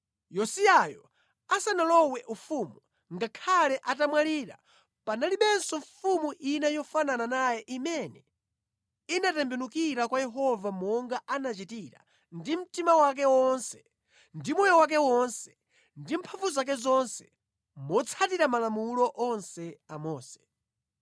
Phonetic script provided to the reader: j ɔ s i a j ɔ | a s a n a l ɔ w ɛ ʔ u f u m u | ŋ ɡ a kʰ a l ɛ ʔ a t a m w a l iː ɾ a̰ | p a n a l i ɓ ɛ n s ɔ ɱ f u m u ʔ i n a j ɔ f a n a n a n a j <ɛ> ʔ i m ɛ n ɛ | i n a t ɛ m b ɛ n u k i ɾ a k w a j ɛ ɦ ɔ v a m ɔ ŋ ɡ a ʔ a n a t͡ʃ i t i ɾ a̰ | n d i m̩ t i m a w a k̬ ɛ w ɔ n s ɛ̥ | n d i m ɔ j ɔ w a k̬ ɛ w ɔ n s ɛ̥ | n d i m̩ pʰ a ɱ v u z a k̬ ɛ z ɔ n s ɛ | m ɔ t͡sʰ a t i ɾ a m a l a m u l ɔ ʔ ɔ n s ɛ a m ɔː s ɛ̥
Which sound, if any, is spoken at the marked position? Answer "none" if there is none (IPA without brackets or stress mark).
ɛ